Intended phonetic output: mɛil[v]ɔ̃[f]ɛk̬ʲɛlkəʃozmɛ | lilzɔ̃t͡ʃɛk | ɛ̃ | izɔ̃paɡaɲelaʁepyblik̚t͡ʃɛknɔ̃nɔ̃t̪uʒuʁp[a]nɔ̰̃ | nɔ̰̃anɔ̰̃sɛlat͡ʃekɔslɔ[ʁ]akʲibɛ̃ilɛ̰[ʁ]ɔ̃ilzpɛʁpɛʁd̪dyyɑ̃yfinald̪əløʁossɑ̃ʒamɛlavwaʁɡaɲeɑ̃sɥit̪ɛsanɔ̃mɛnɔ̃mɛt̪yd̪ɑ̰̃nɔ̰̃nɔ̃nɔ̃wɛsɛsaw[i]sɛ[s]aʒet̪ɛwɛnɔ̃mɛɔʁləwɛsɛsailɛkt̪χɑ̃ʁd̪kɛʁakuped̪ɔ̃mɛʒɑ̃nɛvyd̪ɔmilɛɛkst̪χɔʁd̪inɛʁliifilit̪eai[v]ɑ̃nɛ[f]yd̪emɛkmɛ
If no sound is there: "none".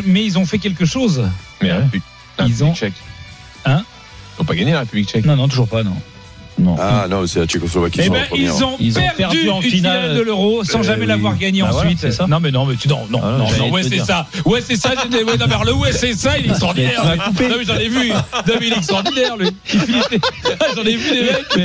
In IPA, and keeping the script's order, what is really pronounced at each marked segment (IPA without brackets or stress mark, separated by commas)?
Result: z, f, a, v, z, ɛ, s, ʒ, v